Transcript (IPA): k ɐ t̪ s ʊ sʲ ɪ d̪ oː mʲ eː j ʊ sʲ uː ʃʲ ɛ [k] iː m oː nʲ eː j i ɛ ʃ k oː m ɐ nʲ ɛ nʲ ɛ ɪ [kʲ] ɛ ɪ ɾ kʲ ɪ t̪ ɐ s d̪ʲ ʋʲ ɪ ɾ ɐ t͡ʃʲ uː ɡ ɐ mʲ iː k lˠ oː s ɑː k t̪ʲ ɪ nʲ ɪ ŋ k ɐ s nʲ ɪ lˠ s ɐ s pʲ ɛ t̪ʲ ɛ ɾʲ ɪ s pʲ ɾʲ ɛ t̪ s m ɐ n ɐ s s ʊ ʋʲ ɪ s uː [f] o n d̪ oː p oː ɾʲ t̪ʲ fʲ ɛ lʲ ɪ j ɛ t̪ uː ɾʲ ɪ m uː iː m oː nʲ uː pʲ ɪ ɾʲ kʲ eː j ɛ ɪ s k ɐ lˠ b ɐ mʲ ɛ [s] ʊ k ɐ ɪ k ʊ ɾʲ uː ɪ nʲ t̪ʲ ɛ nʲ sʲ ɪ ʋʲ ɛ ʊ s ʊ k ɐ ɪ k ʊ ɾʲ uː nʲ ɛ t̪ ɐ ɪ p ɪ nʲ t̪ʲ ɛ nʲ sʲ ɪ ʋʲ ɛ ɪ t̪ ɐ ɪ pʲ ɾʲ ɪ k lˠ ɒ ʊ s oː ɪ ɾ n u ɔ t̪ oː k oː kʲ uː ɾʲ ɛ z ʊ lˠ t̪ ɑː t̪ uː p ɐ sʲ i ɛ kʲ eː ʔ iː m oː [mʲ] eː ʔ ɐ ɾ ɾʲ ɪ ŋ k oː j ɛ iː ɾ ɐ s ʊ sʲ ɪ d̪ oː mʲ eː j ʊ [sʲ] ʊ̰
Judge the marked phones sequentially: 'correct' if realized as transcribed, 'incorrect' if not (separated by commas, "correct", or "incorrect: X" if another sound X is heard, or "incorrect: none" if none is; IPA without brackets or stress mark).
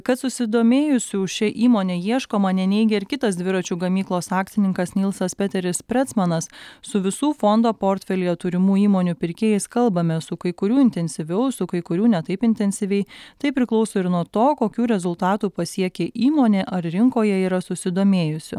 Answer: incorrect: ʔ, incorrect: ɡʲ, correct, correct, incorrect: nʲ, correct